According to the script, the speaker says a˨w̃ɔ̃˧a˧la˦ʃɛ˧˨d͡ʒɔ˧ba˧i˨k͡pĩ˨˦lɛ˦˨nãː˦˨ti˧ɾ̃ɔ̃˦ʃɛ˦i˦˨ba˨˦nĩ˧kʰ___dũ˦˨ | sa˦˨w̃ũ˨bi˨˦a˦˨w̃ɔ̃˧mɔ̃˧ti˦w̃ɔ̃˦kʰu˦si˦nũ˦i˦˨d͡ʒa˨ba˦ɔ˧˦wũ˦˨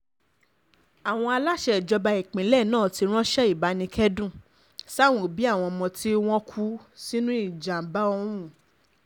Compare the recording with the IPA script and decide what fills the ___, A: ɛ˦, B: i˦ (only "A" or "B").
A